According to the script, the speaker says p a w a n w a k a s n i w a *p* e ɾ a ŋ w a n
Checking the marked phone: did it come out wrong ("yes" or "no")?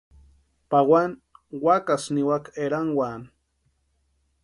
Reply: yes